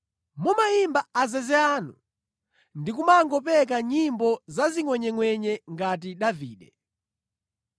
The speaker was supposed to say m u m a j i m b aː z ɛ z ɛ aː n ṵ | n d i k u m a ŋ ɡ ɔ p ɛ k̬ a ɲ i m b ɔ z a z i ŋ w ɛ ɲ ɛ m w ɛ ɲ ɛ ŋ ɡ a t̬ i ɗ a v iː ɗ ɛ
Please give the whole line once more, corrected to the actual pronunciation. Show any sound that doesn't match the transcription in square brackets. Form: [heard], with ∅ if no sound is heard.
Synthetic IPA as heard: m u m a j i m b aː z ɛ z ɛ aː n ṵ | n d i k u m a ŋ ɡ ɔ p ɛ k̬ a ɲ i m b ɔ z a z i ŋ w ɛ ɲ ɛ [ŋ] w ɛ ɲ ɛ ŋ ɡ a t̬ i ɗ a v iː ɗ ɛ